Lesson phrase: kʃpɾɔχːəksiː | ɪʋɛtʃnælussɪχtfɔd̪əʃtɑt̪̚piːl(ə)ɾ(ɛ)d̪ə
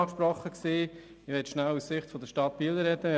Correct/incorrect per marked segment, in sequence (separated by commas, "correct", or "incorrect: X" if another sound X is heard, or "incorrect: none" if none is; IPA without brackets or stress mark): correct, correct